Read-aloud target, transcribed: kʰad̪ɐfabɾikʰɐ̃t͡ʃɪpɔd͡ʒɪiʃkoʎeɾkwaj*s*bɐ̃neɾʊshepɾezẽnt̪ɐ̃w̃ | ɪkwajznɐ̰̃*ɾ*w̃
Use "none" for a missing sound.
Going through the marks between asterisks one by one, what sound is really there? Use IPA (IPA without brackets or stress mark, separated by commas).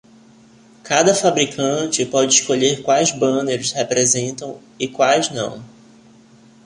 z, none